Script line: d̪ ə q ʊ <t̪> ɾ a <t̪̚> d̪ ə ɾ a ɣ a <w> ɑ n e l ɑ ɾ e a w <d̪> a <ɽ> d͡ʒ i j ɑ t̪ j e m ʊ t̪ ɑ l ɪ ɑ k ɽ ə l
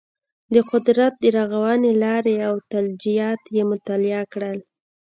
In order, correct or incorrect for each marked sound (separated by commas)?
incorrect, correct, correct, incorrect, incorrect